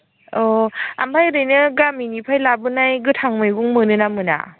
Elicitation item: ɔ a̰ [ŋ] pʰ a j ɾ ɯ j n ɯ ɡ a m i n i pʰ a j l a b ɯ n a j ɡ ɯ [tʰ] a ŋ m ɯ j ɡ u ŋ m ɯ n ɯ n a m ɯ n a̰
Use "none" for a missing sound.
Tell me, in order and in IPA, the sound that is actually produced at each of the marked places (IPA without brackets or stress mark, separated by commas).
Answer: m, tʰ